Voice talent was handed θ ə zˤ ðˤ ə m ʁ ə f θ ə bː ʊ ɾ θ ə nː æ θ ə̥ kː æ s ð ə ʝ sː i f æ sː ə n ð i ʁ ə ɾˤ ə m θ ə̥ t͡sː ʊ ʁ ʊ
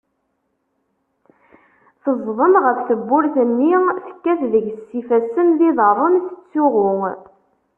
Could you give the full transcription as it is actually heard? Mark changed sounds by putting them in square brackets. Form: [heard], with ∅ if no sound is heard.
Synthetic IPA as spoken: θ ə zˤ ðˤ ə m ʁ ə f θ ə bː ʊ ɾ θ ə nː [i] θ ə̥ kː æ [θ] ð ə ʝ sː i f æ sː ə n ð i [ð] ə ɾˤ ə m θ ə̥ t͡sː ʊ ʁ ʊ